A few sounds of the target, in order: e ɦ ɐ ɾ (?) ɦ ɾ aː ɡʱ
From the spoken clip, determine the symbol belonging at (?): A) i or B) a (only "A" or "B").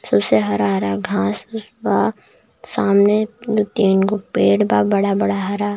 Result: B